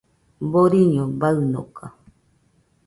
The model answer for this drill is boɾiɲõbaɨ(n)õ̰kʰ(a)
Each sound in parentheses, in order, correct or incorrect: correct, correct

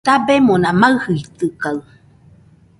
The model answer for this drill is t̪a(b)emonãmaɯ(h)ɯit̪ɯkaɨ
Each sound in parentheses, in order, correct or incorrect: correct, correct

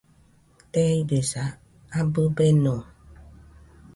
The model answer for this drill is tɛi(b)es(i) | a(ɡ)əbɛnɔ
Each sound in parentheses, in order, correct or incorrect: correct, incorrect, incorrect

